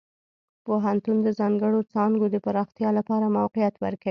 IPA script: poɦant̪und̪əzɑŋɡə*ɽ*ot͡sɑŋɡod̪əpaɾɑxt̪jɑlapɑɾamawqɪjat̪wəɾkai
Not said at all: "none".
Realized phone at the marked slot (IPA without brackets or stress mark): ɽ